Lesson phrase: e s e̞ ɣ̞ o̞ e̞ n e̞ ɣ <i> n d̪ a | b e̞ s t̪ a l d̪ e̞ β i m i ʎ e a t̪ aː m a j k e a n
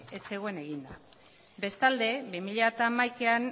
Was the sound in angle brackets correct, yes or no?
yes